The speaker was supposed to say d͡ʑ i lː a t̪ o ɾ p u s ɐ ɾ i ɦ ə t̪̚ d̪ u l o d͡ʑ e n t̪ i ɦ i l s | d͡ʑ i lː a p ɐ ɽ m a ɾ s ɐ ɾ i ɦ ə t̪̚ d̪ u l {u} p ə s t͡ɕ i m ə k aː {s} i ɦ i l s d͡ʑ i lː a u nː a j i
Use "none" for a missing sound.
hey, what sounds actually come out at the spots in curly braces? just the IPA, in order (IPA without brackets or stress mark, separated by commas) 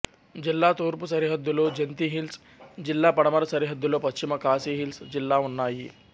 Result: o, s